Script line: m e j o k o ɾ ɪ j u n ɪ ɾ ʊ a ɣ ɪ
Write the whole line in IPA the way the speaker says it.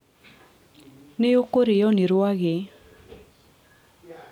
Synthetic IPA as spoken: n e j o k o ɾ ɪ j ɔ n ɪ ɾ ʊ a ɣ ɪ